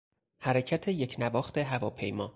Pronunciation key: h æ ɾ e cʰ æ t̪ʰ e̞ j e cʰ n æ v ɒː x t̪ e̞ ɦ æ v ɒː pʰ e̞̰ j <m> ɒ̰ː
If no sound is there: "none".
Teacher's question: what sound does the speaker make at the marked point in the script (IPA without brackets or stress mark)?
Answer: m